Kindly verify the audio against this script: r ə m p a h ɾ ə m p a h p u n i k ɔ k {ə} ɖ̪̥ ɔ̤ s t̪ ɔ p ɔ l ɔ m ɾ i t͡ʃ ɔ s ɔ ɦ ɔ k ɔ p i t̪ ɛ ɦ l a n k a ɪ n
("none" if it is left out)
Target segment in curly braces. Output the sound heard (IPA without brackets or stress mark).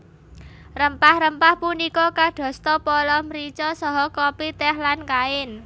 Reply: a